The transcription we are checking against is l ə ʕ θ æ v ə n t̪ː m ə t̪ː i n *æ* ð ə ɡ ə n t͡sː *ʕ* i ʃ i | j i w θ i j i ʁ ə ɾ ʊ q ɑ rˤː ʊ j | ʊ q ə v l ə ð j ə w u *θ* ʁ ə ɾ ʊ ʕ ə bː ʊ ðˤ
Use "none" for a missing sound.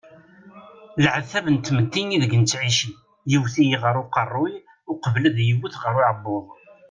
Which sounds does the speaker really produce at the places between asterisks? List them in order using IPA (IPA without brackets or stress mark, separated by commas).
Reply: i, ʕ, θ